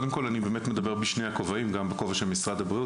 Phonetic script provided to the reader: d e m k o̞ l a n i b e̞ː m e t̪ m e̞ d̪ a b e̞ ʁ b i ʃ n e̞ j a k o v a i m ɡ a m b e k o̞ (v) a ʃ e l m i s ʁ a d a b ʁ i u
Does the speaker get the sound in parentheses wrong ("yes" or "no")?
no